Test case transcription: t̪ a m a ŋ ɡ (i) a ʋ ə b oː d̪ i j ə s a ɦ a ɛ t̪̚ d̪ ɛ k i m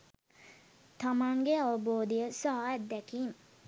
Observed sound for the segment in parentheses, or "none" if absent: e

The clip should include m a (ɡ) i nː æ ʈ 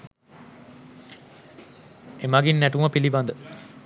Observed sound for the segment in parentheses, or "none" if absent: ɡ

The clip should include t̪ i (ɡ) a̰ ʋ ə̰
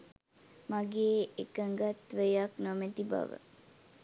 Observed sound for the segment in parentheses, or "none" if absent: b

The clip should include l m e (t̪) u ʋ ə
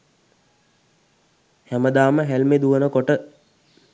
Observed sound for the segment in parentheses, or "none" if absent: d̪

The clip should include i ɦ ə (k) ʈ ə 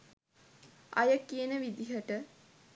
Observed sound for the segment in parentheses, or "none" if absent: none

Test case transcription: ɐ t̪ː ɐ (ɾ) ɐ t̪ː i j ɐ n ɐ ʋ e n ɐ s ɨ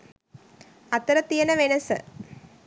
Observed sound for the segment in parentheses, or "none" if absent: ɾ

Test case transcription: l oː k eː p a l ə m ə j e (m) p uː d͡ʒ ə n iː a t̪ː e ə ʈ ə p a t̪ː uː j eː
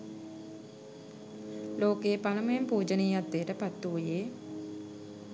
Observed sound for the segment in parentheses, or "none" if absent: m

